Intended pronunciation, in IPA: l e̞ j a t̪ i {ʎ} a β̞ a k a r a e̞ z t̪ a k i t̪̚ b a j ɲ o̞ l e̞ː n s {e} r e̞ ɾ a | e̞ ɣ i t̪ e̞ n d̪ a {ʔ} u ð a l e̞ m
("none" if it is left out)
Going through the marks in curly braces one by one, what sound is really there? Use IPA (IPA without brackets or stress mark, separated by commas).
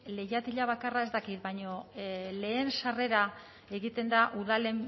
ʎ, a, ʔ